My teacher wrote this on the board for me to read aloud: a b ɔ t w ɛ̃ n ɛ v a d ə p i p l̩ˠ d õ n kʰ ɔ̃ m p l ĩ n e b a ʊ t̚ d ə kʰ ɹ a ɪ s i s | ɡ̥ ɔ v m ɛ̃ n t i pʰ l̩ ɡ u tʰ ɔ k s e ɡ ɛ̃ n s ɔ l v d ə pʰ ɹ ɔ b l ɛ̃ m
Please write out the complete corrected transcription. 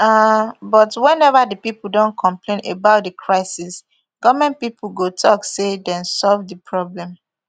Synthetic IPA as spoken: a b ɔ t w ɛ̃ n ɛ v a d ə p i p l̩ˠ d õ n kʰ ɔ̃ m p l ẽ n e b a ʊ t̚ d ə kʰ ɹ a ɪ s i s | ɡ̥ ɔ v m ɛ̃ n p i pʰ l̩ ɡ o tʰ ɔ k s e d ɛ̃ n s ɔ l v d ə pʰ ɹ ɔ b l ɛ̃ m